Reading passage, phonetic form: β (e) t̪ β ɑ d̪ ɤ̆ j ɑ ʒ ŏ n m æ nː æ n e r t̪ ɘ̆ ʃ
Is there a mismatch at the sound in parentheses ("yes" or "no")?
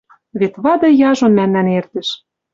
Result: no